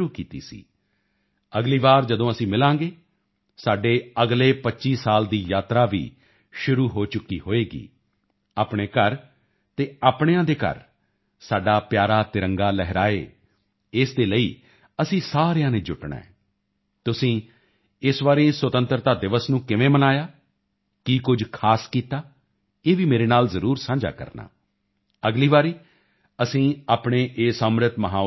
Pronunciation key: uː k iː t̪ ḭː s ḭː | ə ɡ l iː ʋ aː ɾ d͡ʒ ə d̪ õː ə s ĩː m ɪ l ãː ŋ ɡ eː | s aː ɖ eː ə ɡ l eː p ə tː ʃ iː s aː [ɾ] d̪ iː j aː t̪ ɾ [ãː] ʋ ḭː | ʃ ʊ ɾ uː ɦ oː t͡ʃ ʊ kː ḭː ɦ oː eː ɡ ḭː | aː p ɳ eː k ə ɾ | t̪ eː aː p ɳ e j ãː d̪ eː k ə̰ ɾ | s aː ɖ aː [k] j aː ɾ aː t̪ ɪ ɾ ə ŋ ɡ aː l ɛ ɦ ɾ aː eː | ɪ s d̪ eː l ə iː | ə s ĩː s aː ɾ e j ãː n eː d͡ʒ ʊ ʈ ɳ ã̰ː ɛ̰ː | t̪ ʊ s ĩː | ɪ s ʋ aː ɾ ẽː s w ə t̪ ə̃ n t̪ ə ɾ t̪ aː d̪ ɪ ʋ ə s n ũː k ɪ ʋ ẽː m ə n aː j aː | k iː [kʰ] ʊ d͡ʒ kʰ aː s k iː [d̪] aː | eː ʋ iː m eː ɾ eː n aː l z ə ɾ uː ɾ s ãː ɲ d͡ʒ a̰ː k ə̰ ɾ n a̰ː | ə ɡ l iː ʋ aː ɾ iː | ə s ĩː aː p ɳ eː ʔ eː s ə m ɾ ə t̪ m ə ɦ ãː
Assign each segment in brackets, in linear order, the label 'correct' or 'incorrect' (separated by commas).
incorrect, incorrect, incorrect, incorrect, incorrect